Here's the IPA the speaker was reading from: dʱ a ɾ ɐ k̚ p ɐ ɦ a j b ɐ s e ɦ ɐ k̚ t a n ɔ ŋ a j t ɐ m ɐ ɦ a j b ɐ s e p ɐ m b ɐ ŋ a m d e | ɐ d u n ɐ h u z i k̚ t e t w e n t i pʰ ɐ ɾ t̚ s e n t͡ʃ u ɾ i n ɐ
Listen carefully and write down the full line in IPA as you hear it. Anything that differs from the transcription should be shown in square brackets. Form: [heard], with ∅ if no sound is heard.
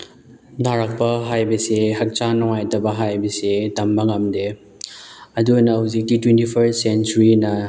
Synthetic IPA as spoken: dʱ a ɾ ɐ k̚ p ɐ ɦ a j b ɐ s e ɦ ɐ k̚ [t͡ʃ] a n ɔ ŋ a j t ɐ [b] ɐ ɦ a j b ɐ s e [t] ɐ m b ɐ ŋ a m d e | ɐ d u n ɐ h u z i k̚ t [i] t w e n t i pʰ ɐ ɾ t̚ s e n t͡ʃ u ɾ i n ɐ